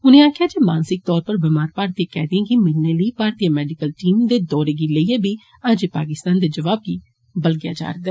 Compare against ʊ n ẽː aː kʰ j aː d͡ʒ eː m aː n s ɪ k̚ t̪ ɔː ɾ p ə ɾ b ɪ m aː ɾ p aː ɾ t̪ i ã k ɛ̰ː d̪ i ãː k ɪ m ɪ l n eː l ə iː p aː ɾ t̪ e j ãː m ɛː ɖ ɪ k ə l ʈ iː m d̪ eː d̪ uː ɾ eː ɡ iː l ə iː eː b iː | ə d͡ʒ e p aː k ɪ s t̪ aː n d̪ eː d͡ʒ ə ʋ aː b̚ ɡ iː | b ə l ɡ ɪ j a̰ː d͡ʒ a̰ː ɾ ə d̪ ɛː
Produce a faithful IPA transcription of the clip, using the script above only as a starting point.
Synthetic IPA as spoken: ʊ n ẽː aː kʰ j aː d͡ʒ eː m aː n s ɪ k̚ t̪ ɔː ɾ p ə ɾ b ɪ m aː ɾ p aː ɾ t̪ i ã k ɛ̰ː d̪ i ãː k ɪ m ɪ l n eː l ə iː p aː ɾ t̪ i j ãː m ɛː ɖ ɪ k ə l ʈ iː m d̪ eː d̪ ɔː ɾ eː ɡ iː l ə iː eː b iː | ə d͡ʒ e p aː k ɪ s t̪ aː n d̪ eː d͡ʒ ə ʋ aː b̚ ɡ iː | b ə l ɡ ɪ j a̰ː d͡ʒ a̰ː ɾ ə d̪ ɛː